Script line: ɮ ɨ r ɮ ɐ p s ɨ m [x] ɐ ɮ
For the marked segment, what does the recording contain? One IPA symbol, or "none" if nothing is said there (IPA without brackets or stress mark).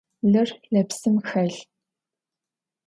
x